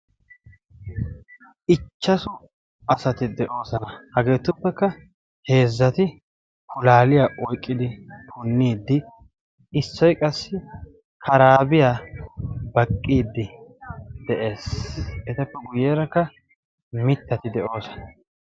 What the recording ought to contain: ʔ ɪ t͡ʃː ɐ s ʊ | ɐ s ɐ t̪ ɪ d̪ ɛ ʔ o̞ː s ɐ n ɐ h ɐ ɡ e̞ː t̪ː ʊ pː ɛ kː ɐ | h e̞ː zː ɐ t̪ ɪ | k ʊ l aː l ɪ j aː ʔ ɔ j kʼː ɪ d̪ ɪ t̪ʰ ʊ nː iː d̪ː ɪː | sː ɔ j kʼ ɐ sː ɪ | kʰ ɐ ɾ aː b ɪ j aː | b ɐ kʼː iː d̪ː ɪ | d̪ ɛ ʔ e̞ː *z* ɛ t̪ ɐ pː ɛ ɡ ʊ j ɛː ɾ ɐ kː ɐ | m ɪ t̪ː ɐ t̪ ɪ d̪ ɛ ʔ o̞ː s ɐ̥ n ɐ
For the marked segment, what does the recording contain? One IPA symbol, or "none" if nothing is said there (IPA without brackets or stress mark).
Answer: s